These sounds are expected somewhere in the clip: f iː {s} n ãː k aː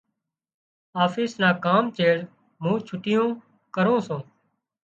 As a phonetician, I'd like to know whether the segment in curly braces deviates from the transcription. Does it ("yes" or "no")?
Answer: no